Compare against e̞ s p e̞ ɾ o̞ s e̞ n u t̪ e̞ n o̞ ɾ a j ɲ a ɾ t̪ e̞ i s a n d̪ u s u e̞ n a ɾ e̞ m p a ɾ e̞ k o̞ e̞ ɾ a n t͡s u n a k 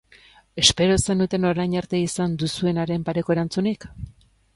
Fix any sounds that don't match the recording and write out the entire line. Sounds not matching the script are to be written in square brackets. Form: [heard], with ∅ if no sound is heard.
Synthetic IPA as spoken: e̞ s p e̞ ɾ o̞ s e̞ n u t̪ e̞ n o̞ ɾ a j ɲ a ɾ t̪ e̞ i s a n d̪ u s u e̞ n a ɾ e̞ m p a ɾ e̞ k o̞ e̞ ɾ a n t͡s u n [i] k

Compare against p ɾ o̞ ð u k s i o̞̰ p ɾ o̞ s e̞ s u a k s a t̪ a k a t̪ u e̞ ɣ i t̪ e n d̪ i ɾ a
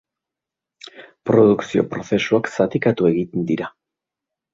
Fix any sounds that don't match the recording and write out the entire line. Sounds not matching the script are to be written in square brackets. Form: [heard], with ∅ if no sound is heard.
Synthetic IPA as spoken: p ɾ o̞ ð u k s i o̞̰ p ɾ o̞ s e̞ s u a k s a t̪ [i] k a t̪ u e̞ ɣ i t̪ e n d̪ i ɾ a

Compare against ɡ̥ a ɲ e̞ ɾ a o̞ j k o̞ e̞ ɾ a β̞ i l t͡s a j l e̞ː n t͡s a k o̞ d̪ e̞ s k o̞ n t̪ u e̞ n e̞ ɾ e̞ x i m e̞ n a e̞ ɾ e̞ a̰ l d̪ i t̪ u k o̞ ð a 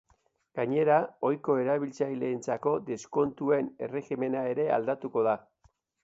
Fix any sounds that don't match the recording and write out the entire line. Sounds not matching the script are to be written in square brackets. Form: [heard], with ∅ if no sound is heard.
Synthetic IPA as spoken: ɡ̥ a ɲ e̞ ɾ a o̞ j k o̞ e̞ ɾ a β̞ i l t͡s a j l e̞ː n t͡s a k o̞ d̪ e̞ s k o̞ n t̪ u e̞ n e̞ [r] e̞ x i m e̞ n a e̞ ɾ e̞ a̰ l d̪ [a] t̪ u k o̞ ð a

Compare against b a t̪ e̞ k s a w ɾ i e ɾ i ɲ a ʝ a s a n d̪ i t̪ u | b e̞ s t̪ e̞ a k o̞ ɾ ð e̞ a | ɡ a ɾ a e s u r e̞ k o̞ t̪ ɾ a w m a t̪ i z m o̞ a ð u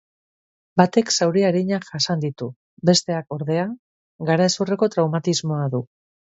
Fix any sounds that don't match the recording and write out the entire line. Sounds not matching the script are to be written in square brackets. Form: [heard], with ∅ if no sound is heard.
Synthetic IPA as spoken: b a t̪ e̞ k s a w ɾ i [a] ɾ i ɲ a ʝ a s a n d̪ i t̪ u | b e̞ s t̪ e̞ a k o̞ ɾ ð e̞ a | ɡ a ɾ a e s u r e̞ k o̞ t̪ ɾ a w m a t̪ i z m o̞ a ð u

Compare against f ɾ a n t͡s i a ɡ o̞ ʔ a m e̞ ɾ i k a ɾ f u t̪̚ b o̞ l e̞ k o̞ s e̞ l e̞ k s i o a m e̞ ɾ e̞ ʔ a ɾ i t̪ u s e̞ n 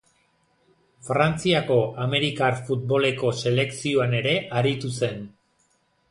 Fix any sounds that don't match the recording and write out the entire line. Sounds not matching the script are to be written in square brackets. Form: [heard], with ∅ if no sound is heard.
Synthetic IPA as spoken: f ɾ a n t͡s i a [k] o̞ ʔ a m e̞ ɾ i k a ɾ f u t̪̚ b o̞ l e̞ k o̞ s e̞ l e̞ k s i o a [n] e̞ ɾ e̞ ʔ a ɾ i t̪ u s e̞ n

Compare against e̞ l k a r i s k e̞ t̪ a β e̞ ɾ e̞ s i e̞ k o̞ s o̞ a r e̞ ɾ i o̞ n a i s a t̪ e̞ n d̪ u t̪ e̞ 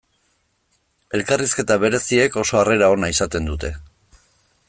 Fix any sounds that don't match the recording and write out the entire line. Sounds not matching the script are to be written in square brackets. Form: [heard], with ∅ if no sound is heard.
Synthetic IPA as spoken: e̞ l k a r i s k e̞ t̪ a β e̞ ɾ e̞ s i e̞ k o̞ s o̞ a r e̞ ɾ [a] o̞ n a i s a t̪ e̞ n d̪ u t̪ e̞

